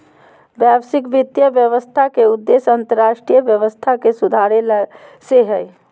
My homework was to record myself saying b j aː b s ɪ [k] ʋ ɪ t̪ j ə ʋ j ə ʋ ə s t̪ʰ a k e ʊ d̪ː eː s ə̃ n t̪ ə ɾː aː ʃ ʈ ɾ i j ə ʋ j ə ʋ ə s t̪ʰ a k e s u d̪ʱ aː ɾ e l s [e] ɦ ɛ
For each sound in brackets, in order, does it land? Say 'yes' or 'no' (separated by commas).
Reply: yes, yes